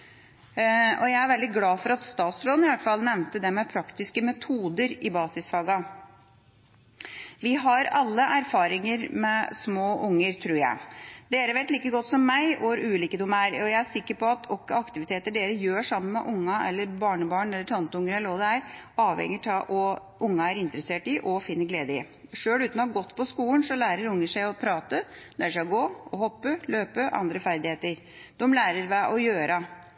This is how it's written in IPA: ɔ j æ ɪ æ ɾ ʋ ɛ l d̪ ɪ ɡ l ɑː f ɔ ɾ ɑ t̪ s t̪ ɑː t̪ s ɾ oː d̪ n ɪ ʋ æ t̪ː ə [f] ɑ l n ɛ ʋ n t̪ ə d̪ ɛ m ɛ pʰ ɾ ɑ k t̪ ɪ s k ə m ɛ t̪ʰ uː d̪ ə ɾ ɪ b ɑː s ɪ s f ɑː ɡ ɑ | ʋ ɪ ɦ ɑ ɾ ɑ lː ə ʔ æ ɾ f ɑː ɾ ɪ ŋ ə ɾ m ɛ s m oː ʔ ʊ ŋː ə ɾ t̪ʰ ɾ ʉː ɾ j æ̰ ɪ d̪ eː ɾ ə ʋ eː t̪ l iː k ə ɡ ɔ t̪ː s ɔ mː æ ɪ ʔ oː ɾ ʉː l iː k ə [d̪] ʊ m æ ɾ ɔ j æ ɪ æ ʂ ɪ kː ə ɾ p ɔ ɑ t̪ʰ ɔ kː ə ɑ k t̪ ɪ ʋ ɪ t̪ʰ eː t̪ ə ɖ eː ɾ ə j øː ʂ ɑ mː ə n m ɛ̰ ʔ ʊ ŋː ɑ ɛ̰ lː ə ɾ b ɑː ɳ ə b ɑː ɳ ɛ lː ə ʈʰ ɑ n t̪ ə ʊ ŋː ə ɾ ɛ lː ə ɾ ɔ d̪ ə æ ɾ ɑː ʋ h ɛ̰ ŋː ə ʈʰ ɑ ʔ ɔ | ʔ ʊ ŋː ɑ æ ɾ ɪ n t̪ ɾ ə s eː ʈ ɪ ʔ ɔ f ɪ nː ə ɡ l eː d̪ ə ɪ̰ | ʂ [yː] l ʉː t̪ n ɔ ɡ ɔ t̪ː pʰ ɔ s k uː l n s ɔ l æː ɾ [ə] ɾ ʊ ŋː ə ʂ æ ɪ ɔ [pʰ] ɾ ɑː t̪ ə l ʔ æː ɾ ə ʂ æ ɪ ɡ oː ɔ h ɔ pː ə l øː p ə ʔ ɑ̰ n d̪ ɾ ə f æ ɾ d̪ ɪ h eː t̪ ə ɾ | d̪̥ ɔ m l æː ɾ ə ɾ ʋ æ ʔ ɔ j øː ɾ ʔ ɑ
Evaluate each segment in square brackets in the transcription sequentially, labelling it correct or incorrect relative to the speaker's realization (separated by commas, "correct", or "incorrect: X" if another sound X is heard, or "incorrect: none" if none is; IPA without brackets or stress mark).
correct, correct, incorrect: øː, correct, correct